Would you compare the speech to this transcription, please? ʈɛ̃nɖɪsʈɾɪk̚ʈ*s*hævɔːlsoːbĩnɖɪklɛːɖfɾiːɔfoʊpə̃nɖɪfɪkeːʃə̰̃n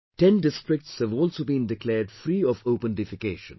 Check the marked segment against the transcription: correct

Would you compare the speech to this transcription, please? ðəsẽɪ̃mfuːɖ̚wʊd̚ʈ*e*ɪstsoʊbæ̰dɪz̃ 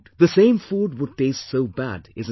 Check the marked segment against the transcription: correct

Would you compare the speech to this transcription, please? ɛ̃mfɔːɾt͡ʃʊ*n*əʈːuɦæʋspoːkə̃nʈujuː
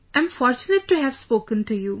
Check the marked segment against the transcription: correct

